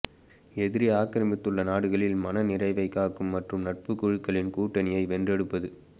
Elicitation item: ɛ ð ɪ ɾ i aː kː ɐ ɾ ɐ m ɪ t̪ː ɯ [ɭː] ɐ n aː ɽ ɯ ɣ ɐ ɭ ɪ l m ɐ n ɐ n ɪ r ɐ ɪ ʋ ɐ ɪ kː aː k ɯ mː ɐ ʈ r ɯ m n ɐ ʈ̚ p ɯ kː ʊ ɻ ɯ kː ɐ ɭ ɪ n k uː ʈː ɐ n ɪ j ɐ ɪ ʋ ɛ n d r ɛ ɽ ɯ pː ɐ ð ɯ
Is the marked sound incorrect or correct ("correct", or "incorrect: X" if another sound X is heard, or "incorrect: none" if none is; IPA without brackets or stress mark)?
correct